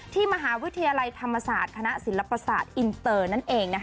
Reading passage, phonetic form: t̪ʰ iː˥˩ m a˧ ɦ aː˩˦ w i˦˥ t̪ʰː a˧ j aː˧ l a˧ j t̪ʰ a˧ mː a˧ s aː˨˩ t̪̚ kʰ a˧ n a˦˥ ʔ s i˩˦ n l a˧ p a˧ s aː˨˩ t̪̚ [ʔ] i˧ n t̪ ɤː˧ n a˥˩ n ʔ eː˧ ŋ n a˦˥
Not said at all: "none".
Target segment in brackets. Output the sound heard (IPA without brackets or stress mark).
ʔ